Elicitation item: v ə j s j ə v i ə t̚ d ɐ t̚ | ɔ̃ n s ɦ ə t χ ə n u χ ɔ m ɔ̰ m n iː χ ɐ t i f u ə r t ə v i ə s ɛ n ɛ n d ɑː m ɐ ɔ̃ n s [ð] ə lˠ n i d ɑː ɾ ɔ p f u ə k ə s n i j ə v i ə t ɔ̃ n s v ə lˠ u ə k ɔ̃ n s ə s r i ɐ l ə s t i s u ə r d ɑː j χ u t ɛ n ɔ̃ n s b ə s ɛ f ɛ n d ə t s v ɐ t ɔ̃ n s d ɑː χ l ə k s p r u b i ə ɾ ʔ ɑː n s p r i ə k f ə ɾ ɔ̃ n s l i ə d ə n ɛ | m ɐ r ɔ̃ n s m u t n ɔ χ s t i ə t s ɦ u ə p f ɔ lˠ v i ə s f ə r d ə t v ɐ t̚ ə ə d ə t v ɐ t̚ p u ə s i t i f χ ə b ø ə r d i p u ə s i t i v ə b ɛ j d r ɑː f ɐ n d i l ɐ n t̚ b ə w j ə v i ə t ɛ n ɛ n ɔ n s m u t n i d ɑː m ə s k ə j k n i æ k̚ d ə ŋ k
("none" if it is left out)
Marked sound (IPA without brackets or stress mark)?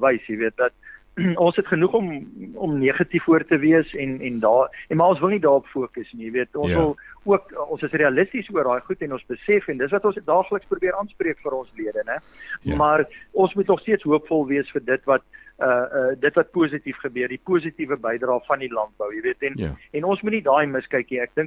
v